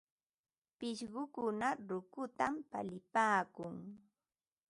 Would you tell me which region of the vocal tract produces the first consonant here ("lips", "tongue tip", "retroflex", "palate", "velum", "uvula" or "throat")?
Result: lips